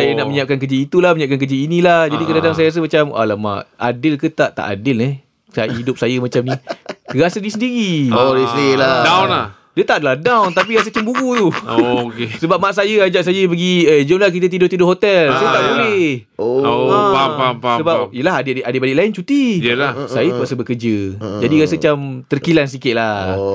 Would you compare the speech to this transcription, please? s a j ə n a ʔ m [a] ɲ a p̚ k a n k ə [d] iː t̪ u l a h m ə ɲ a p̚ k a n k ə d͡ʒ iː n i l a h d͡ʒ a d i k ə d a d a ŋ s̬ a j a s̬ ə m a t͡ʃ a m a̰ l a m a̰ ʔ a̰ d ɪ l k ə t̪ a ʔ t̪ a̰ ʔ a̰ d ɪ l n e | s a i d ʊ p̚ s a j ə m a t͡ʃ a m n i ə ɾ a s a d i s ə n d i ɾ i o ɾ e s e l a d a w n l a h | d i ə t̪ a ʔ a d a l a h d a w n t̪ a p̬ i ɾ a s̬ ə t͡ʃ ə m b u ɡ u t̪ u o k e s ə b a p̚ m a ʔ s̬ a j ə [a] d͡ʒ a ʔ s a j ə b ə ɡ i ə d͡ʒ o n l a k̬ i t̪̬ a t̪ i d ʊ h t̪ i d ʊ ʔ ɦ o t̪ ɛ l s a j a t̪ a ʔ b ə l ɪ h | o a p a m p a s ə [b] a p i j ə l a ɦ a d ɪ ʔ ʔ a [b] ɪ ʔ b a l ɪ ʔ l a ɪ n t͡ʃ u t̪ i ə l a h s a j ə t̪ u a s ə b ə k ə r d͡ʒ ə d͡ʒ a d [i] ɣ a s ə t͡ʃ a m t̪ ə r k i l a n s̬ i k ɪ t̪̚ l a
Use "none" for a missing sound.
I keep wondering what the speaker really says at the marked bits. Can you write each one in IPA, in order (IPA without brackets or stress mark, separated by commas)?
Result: ə, d͡ʒ, a, b, d, i